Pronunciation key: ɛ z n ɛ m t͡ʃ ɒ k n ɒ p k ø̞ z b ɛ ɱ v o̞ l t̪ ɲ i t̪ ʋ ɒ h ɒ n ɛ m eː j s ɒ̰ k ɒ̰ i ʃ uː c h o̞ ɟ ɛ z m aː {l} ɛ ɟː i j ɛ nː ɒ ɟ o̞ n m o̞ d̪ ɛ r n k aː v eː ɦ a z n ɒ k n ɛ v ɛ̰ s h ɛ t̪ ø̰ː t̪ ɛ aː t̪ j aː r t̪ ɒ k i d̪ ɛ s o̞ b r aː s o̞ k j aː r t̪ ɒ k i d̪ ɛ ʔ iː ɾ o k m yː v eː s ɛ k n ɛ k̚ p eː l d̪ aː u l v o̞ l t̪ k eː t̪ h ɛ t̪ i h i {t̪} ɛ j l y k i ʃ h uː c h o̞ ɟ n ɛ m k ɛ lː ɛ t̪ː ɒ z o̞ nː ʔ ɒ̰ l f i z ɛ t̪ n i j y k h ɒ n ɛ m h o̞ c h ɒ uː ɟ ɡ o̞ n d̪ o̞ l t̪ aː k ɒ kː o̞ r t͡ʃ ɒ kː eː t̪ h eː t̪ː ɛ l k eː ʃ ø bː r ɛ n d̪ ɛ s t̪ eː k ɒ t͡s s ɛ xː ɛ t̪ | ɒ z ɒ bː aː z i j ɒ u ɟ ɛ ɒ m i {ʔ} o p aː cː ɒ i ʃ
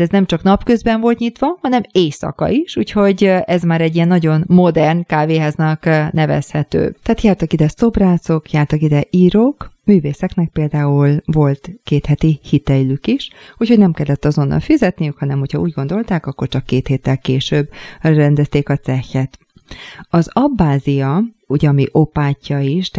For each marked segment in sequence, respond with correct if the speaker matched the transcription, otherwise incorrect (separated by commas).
incorrect, correct, correct